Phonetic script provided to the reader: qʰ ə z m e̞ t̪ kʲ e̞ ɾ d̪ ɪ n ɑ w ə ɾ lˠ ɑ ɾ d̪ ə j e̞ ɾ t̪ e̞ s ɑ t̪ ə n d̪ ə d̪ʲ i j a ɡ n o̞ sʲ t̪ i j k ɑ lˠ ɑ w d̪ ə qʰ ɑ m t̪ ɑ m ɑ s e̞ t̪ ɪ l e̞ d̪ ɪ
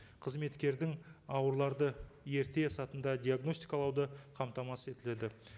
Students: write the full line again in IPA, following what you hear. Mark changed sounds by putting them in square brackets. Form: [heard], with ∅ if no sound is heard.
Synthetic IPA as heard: qʰ ə z m e̞ t̪ kʲ e̞ ɾ d̪ ɪ [ŋ] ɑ w ə ɾ lˠ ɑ ɾ d̪ ə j e̞ ɾ t̪ e̞ s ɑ t̪ ə n d̪ [ɑ] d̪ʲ i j a ɡ n o̞ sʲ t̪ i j k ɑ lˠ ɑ w d̪ ə qʰ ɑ m t̪ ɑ m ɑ s e̞ t̪ ɪ l e̞ d̪ ɪ